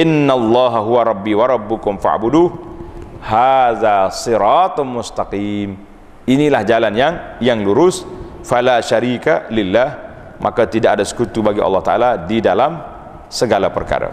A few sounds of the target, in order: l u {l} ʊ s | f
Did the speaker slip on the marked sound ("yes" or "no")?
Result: yes